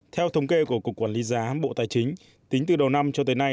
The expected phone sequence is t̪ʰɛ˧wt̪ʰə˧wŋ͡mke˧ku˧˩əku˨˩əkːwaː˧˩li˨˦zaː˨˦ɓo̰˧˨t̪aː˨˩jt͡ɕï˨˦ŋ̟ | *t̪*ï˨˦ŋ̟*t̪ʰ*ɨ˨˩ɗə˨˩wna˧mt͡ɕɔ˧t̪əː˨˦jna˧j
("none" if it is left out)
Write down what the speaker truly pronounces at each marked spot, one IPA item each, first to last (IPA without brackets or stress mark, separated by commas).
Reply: t̪, t̪